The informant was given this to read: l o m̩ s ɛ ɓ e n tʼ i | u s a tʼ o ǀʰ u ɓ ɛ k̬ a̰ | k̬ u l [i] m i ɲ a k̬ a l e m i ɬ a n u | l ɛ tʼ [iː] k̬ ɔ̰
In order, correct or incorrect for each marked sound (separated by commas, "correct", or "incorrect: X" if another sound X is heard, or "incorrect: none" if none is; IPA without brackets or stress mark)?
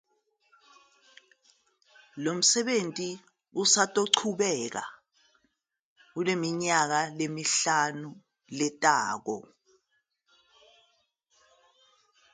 incorrect: e, incorrect: aː